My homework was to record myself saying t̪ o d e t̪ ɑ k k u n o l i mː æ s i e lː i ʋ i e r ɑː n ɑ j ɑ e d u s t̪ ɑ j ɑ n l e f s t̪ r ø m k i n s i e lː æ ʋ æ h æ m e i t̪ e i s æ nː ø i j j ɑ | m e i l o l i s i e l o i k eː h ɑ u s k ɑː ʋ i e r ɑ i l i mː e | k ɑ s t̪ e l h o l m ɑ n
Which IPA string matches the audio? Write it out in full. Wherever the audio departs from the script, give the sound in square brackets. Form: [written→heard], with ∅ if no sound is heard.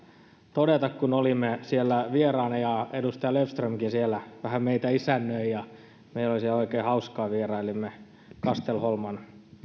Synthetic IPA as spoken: t̪ o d e t̪ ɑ k k u n o l i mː [æ→e] s i e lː [i→æ] ʋ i e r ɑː n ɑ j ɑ e d u s t̪ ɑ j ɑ [n→∅] l e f s t̪ r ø m k i n s i e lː æ ʋ æ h æ m e i t̪ [e→æ] i s æ nː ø i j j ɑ | m e i l o l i s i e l o i k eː h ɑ u s k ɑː ʋ i e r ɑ i l i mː e | k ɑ s t̪ e l h o l m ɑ n